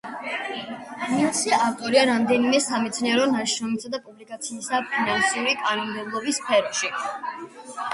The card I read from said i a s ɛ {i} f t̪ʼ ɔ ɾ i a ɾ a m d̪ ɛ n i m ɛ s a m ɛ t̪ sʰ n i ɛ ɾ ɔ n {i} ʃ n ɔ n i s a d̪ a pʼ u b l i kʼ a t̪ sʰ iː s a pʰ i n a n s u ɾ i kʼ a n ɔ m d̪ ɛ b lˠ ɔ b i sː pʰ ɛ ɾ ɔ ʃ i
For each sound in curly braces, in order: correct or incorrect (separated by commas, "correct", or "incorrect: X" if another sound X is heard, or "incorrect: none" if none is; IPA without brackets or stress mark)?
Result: incorrect: a, incorrect: a